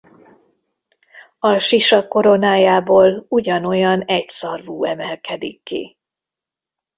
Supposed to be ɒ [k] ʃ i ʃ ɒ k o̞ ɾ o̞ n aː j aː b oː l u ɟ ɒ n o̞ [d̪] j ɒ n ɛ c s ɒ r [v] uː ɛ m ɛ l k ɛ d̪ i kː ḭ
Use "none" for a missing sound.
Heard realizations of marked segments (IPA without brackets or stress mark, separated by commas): none, none, v